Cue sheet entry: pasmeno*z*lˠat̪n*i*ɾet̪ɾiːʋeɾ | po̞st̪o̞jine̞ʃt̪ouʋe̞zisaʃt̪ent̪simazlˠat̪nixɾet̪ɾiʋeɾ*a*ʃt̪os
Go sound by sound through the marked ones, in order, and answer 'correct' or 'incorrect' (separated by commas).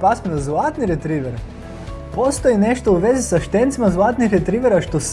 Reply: correct, correct, correct